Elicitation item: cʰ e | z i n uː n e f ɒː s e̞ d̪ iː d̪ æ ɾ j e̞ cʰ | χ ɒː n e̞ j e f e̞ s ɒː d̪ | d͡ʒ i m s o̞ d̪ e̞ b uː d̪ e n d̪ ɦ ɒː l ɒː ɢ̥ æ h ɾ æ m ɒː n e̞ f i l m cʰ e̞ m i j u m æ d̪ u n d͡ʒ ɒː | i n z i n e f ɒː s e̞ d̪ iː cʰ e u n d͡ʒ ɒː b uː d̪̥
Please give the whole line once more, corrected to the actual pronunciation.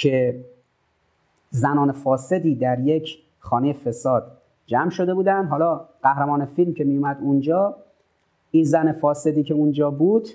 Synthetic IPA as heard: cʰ e | z æ n ɒː n e f ɒː s e̞ d̪ iː d̪ æ ɾ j e̞ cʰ | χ ɒː n e̞ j e f e̞ s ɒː d̪ | d͡ʒ æ m ʃ o̞ d̪ e̞ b uː d̪ æ n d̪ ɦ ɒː l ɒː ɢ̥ æ h ɾ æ m ɒː n e̞ f i l m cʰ e̞ m i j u m æ d̪ u n d͡ʒ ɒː | i n z æ n e f ɒː s e̞ d̪ iː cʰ e u n d͡ʒ ɒː b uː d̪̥